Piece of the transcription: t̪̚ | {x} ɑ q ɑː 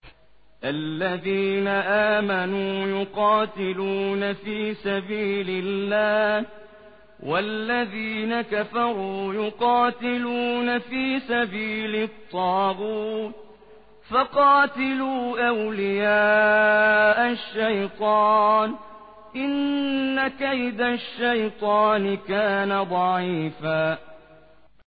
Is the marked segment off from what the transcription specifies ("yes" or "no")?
yes